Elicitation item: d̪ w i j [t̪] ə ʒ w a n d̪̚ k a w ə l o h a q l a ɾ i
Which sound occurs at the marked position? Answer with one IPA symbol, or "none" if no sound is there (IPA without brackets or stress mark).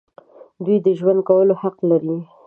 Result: d̪